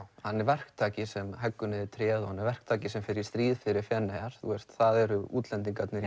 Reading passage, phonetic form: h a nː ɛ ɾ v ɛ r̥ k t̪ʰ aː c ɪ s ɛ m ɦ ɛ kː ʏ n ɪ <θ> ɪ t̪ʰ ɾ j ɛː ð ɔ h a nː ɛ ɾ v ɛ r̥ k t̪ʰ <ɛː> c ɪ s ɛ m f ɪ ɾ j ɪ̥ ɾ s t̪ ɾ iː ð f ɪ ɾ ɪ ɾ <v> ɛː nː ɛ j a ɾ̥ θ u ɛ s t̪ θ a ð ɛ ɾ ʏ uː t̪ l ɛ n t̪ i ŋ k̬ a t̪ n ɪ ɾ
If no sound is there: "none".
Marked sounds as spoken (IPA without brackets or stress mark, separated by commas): ð, aː, f